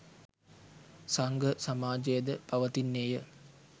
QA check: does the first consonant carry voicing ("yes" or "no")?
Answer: no